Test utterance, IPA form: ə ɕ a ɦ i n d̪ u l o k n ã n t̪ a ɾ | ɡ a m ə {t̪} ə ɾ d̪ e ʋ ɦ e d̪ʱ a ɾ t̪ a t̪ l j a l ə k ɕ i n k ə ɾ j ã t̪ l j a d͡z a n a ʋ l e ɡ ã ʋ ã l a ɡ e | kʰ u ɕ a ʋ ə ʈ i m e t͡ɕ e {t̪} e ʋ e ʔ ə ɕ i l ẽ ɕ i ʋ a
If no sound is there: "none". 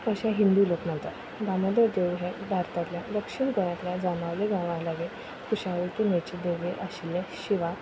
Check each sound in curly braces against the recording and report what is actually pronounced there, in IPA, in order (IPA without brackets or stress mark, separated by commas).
d̪, d̪